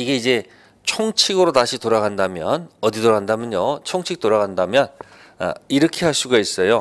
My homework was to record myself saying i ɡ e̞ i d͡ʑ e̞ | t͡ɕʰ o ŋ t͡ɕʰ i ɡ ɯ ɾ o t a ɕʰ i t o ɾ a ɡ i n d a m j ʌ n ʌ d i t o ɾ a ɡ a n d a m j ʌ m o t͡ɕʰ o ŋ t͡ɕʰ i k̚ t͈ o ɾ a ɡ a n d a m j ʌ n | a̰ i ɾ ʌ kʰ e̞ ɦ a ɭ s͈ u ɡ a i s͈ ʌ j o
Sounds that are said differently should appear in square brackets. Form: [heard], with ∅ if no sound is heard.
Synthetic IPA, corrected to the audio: i ɡ e̞ i d͡ʑ e̞ | t͡ɕʰ o ŋ t͡ɕʰ i ɡ ɯ ɾ o t a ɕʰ i t o ɾ a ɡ [a] n d a m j ʌ n ʌ d i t o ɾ a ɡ a n d a m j ʌ [ɲ] o t͡ɕʰ o ŋ t͡ɕʰ i k̚ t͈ o ɾ a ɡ a n d a m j ʌ n | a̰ i ɾ ʌ kʰ e̞ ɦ a ɭ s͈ u ɡ a i s͈ ʌ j o